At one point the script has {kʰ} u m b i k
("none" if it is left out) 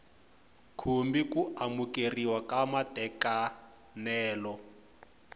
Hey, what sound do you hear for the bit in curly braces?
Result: kʰ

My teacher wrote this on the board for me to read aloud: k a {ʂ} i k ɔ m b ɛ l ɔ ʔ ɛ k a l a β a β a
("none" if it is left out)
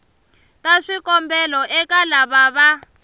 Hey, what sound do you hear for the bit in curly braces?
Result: ʂ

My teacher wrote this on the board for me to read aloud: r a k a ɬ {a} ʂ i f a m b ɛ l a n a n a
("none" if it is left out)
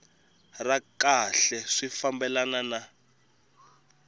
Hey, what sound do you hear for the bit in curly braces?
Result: ɛ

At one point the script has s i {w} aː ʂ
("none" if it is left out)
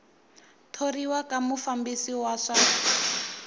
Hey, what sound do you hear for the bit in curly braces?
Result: w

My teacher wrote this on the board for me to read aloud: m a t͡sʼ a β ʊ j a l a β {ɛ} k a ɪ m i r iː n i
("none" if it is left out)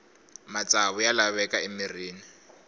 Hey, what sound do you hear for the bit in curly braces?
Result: ɛ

